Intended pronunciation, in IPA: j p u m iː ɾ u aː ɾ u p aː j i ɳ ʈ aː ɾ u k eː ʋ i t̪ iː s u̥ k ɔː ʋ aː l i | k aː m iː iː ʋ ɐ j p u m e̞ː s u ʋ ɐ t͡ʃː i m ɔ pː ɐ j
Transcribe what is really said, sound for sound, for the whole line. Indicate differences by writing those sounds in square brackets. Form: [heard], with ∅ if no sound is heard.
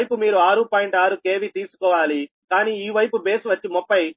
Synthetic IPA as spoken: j p u m iː ɾ u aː ɾ u p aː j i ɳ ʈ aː ɾ u k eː ʋ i t̪ iː s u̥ k ɔː ʋ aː l i | k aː [n] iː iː ʋ ɐ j p u [b] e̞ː s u ʋ ɐ t͡ʃː i m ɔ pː ɐ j